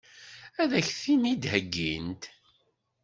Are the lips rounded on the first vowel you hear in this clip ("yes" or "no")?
no